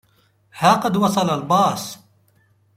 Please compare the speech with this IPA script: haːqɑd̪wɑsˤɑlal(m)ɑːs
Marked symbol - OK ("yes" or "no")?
no